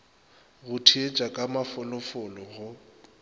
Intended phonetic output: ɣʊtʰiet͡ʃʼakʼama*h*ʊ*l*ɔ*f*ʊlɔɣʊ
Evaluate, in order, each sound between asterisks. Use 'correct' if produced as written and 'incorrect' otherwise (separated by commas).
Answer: incorrect, correct, correct